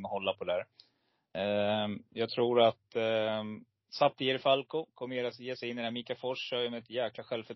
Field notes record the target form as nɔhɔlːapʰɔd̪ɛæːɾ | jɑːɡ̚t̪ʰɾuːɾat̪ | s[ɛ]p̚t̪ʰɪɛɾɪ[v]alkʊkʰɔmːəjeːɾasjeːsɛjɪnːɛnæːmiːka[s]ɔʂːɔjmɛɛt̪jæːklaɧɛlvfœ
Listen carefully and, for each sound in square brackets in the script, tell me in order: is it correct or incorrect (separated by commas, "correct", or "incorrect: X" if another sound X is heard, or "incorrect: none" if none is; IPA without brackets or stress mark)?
incorrect: a, incorrect: f, incorrect: f